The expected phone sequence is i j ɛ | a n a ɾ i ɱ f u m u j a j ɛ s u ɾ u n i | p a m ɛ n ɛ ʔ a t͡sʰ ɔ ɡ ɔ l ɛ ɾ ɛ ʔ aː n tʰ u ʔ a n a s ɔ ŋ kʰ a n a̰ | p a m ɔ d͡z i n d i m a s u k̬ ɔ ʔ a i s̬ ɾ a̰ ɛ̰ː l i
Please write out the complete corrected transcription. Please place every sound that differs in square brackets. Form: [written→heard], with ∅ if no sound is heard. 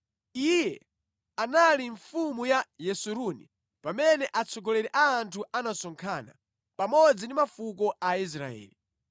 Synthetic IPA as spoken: i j ɛ | a n a [ɾ→l] i ɱ f u m u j a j ɛ s u ɾ u n i | p a m ɛ n ɛ ʔ a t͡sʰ ɔ ɡ ɔ l ɛ ɾ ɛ ʔ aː n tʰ u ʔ a n a s ɔ ŋ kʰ a n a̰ | p a m ɔ d͡z i n d i m a [s→f] u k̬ ɔ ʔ a i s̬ ɾ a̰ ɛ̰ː l i